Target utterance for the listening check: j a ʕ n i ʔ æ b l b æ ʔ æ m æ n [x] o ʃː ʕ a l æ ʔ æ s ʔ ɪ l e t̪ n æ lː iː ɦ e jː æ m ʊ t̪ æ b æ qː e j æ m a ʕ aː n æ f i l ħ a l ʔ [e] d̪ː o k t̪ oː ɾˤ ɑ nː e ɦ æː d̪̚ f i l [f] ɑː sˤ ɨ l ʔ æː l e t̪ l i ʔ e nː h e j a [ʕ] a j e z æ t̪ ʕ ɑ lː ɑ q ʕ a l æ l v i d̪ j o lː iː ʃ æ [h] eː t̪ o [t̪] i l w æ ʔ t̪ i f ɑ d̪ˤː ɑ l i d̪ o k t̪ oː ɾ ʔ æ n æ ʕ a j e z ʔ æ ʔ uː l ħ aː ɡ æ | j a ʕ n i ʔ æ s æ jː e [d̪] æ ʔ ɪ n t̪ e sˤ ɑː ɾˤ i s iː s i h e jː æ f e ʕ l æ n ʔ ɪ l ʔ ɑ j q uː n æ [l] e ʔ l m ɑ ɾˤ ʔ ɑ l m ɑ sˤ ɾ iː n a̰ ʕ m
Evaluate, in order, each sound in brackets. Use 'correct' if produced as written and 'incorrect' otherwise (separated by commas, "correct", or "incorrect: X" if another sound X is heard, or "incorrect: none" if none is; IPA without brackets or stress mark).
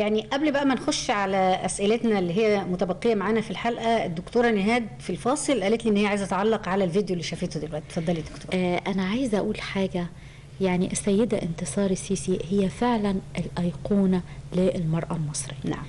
correct, incorrect: æ, correct, correct, incorrect: f, incorrect: d̪, correct, correct